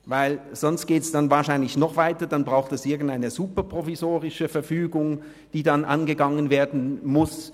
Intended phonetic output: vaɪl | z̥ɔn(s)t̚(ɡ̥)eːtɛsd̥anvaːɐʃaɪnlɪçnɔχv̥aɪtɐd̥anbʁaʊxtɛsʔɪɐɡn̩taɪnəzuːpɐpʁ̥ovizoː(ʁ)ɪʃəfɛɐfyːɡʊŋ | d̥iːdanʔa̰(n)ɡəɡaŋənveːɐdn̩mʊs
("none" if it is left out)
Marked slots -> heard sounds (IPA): s, ɡ̥, ʁ, n

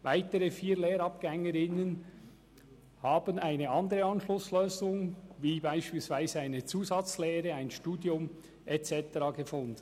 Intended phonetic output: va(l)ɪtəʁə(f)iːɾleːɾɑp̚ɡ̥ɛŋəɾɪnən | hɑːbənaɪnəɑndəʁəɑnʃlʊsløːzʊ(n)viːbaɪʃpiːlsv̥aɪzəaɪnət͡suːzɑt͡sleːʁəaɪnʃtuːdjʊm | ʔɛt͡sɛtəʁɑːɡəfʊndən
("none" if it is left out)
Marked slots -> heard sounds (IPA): none, f, ŋ

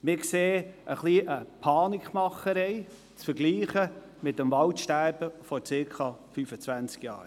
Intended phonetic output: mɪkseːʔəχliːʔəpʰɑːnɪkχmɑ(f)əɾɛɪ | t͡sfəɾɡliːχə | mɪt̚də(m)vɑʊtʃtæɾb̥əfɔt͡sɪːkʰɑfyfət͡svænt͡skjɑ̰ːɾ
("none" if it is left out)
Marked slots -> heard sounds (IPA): χ, m

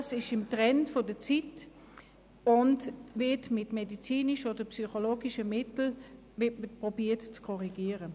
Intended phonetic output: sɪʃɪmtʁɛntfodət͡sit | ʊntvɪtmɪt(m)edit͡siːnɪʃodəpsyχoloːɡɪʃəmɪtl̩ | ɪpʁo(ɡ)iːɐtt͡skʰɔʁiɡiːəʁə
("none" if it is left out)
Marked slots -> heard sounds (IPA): m, b

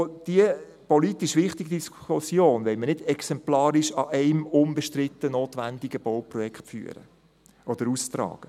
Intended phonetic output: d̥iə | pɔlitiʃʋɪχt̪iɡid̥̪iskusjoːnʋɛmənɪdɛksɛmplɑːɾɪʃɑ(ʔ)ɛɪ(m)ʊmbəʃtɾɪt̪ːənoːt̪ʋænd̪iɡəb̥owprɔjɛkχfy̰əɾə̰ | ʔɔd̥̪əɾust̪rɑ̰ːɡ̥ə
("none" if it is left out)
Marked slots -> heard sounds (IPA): ʔ, m

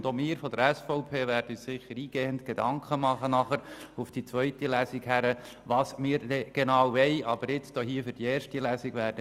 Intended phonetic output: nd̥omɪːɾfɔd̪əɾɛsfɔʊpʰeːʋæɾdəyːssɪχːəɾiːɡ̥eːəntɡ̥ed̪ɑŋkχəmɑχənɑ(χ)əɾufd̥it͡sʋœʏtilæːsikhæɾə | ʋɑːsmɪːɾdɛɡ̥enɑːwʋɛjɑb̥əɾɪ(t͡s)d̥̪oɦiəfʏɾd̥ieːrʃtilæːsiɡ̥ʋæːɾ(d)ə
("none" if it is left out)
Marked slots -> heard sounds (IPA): χ, t͡s, d

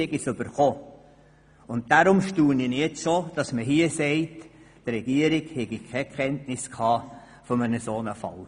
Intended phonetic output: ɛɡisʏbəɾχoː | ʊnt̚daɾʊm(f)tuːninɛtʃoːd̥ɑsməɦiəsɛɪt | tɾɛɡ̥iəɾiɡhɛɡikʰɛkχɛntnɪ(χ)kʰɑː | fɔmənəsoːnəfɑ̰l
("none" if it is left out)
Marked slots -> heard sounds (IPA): ʃ, s

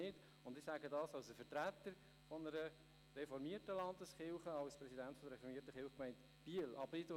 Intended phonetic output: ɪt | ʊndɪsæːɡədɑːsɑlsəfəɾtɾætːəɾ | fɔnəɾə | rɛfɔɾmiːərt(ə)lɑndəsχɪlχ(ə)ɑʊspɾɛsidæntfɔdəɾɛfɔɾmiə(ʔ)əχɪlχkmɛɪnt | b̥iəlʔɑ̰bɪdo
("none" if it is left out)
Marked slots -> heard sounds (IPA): ə, ə, t

